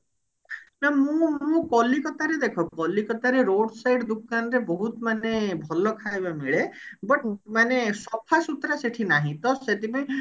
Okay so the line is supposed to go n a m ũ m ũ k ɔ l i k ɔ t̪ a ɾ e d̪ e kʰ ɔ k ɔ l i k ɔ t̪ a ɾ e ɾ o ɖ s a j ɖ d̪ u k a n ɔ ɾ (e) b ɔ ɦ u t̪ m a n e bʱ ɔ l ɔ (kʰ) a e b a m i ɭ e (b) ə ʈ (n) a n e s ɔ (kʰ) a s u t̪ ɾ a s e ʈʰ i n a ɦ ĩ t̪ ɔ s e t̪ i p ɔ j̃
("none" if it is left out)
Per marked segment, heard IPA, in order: e, kʰ, b, m, pʰ

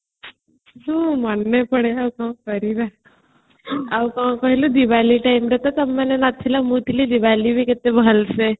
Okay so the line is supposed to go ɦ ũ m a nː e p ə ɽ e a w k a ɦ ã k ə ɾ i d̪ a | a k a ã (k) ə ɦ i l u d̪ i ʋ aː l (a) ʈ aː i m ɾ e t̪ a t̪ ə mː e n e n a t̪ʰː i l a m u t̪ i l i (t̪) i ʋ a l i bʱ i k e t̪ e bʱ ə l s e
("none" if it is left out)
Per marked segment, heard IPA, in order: k, i, d̪

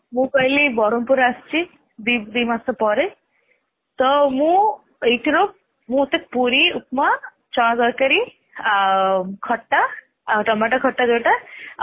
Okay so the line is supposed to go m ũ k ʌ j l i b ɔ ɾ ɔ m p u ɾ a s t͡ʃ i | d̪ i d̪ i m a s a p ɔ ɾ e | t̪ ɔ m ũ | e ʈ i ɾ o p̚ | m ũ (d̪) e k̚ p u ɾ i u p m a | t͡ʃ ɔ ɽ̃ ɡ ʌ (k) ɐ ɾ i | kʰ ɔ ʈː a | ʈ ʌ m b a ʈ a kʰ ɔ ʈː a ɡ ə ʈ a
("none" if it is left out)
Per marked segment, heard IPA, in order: t̪, k

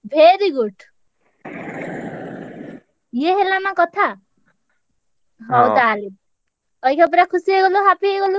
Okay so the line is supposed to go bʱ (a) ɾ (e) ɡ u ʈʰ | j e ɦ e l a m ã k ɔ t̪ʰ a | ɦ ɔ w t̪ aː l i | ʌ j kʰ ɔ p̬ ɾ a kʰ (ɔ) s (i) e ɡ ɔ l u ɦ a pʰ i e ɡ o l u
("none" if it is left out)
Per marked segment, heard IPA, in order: e, i, u, i

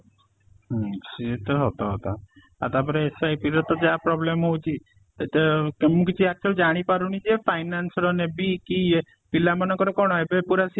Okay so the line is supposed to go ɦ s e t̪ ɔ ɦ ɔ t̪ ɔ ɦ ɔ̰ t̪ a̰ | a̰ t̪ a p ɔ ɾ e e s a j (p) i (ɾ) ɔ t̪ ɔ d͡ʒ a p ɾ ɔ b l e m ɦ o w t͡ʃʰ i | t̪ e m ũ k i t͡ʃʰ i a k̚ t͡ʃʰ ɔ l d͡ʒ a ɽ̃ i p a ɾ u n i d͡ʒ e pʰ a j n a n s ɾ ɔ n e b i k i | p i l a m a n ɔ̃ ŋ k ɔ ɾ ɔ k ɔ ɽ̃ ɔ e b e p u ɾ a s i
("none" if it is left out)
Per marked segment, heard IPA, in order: p, ɾ

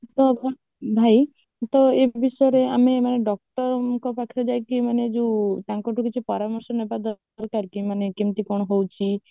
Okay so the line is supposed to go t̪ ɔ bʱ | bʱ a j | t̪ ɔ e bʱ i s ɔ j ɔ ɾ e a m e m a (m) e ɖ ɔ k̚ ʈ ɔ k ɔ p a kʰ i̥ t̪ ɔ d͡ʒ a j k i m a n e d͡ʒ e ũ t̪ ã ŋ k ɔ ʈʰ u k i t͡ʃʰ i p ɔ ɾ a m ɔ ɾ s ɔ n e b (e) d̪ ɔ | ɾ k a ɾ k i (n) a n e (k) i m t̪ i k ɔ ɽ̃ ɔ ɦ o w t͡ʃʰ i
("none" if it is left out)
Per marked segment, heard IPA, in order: n, a, m, k

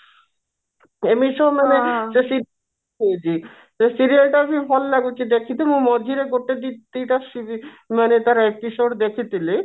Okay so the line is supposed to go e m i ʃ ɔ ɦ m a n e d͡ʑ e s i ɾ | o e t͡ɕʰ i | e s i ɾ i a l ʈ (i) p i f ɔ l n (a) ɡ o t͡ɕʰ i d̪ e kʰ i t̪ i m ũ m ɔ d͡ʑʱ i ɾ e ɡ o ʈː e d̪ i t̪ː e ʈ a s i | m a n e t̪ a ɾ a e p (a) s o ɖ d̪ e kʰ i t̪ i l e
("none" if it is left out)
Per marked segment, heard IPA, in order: a, a, i

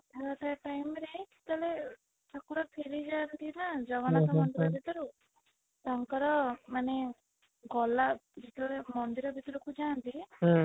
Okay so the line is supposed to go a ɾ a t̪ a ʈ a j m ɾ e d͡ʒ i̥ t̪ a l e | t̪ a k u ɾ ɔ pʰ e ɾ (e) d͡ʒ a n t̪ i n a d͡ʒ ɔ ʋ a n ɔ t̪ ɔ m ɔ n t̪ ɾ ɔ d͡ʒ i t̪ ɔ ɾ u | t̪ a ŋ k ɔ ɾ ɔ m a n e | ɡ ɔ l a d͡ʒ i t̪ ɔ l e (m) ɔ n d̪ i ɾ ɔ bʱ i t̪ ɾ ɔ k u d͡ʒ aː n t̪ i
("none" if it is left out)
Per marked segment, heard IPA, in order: i, m

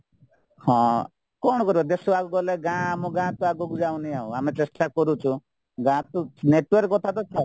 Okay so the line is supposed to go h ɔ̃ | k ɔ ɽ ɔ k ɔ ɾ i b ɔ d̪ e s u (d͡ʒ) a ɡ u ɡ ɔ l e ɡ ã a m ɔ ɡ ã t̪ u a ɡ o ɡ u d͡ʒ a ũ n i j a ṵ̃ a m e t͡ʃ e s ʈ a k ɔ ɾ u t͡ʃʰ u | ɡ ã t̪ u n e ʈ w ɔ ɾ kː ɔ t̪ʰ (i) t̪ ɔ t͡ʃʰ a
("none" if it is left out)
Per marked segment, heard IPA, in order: none, a

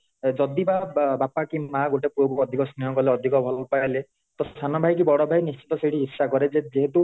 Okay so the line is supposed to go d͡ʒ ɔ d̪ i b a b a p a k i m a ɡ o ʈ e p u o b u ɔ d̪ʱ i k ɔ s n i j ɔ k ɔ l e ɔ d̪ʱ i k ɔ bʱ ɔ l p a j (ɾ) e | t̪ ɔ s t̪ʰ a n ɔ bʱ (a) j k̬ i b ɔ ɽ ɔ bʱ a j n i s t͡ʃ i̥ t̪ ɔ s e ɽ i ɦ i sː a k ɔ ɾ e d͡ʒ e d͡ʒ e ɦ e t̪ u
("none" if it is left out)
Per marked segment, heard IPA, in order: l, a

